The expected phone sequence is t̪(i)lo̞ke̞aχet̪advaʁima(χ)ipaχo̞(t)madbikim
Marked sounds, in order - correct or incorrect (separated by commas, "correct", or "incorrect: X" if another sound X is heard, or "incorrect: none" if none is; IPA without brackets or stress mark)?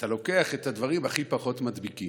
incorrect: a, correct, correct